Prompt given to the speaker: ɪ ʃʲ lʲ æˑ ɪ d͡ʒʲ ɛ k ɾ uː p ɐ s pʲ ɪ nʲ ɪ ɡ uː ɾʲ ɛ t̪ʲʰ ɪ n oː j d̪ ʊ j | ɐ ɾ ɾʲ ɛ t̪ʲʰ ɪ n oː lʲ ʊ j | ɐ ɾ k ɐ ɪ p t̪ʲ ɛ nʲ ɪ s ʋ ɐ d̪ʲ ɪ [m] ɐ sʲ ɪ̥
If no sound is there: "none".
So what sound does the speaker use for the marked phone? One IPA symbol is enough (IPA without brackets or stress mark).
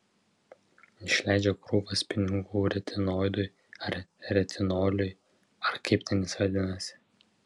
n